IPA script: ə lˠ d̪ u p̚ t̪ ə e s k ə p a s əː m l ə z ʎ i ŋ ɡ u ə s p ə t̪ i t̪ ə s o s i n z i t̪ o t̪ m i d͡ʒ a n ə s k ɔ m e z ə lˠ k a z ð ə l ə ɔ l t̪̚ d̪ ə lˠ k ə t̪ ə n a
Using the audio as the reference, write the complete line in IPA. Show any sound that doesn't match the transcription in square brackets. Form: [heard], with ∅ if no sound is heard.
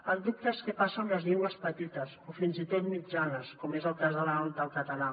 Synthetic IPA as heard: ə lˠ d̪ u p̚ t̪ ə e s k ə p a s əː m l ə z ʎ i ŋ ɡ [w] ə s p ə t̪ i t̪ ə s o [f] i n z i t̪ o t̪ m i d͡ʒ a n ə s k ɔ m e z ə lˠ k a z ð ə l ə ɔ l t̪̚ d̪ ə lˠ k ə t̪ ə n a